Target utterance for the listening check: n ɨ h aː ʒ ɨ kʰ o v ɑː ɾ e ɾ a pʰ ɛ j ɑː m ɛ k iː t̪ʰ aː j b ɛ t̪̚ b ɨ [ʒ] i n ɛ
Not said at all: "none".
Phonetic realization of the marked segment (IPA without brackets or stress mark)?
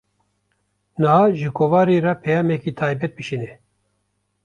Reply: ʃ